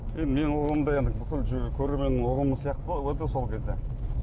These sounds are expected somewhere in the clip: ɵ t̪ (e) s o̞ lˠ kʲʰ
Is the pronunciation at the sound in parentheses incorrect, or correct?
correct